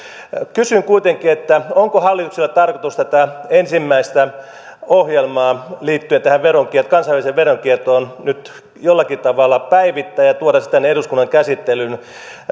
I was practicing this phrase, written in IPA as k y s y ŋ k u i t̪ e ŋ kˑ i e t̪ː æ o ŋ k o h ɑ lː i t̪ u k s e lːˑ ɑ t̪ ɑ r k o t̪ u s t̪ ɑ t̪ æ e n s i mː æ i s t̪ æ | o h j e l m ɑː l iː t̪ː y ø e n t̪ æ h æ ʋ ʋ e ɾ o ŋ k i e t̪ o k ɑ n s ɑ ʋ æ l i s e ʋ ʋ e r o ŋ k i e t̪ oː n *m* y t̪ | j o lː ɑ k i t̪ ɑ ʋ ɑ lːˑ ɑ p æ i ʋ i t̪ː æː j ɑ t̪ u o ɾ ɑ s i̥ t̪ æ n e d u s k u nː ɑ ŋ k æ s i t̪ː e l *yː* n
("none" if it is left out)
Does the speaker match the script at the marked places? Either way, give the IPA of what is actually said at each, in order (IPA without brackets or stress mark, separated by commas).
n, y